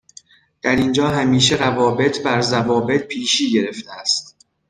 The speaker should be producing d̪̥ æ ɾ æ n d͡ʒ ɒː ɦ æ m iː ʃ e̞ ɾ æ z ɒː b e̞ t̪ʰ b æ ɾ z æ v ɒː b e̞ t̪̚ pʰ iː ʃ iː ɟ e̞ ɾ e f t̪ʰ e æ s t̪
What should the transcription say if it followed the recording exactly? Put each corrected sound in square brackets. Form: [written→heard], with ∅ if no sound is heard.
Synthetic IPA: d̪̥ æ ɾ [æ→i] n d͡ʒ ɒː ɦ æ m iː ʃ e̞ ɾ æ [z→v] ɒː b e̞ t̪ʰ b æ ɾ z æ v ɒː b e̞ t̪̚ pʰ iː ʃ iː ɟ e̞ ɾ e f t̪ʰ e æ s t̪